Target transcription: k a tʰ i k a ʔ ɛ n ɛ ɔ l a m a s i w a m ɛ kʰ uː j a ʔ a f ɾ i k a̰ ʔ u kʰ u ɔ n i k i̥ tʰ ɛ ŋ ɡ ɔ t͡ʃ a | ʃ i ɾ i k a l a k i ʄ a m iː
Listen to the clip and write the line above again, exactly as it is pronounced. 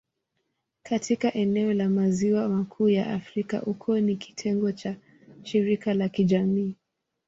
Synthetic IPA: k a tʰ i k a ʔ ɛ n ɛ ɔ l a m a z i w a m a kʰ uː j a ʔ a f ɾ i k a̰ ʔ u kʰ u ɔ n i k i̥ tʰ ɛ ŋ ɡ ɔ t͡ʃ a | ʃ i ɾ i k a l a k i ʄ a m iː